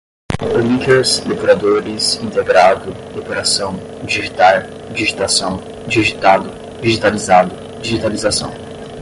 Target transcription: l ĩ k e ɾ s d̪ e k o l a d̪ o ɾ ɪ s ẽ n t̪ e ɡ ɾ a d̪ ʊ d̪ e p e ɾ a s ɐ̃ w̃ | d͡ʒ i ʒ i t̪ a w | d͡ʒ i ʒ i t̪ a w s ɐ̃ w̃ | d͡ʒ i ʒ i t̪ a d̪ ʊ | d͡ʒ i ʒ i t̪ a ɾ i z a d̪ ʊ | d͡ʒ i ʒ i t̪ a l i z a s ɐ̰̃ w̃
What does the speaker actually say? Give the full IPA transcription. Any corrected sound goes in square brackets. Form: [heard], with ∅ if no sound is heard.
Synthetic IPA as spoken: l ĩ k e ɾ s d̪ e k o [ɾ] a d̪ o ɾ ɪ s [ĩ] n t̪ e ɡ ɾ a d̪ ʊ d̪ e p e ɾ a s ɐ̃ w̃ | d͡ʒ i ʒ i t̪ a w | d͡ʒ i ʒ i t̪ a [∅] s ɐ̃ w̃ | d͡ʒ i ʒ i t̪ a d̪ ʊ | d͡ʒ i ʒ i t̪ a [l] i z a d̪ ʊ | d͡ʒ i ʒ i t̪ a l i z a s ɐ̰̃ w̃